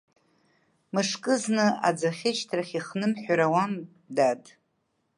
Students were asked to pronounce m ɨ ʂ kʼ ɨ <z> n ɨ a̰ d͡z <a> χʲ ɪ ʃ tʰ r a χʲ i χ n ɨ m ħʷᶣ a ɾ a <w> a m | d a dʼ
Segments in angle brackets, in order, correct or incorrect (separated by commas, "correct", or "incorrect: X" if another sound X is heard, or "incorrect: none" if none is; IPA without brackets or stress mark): correct, correct, correct